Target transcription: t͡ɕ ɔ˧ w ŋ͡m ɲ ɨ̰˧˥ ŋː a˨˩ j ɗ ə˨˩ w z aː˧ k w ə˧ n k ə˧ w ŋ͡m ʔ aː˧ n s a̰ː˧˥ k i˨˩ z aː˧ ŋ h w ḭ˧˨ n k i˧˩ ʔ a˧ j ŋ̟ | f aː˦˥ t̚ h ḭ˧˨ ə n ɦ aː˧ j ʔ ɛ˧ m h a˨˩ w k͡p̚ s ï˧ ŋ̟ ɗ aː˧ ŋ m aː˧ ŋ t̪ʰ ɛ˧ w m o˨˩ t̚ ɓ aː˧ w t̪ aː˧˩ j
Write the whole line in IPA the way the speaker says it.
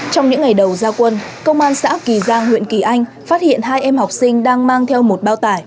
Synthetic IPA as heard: t͡ɕ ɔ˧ w ŋ͡m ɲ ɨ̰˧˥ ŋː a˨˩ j ɗ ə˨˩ w z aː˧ k w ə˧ n k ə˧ w ŋ͡m ʔ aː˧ n s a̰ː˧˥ k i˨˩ z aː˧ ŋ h w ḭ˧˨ n k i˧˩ ʔ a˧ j ŋ̟ | f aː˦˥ t̚ h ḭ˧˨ ə n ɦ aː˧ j ʔ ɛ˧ m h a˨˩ w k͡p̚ s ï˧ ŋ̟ ɗ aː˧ ŋ m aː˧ ŋ t̪ʰ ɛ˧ w m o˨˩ t̚ ɓ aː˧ w t̪ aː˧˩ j